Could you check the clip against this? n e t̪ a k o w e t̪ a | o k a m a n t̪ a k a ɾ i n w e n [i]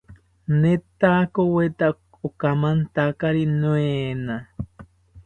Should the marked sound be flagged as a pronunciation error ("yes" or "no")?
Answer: yes